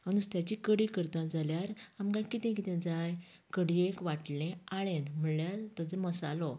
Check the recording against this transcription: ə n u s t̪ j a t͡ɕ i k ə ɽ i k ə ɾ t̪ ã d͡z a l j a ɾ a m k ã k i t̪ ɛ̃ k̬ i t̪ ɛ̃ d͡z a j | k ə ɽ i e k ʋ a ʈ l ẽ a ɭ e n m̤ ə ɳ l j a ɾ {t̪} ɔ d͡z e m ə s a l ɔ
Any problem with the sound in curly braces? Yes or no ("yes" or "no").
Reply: no